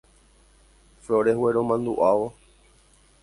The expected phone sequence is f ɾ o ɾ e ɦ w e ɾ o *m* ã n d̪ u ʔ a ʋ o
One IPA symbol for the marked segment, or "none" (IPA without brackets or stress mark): m